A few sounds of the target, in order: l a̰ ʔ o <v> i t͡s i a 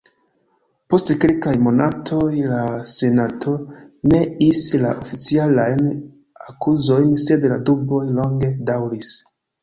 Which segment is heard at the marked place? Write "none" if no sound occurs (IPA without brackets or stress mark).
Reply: f